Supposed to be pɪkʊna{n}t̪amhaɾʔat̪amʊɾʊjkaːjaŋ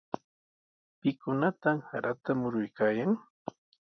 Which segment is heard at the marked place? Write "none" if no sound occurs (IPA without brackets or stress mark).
none